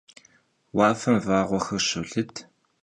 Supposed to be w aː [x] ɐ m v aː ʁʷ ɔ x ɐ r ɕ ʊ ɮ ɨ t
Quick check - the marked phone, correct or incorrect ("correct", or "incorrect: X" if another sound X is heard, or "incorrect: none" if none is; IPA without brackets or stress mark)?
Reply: incorrect: f